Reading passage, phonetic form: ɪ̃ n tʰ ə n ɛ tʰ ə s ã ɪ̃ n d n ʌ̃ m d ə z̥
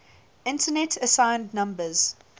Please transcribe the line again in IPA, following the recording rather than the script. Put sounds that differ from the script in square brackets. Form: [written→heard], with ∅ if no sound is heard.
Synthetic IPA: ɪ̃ n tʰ ə n ɛ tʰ ə s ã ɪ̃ n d n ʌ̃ m [d→b] ə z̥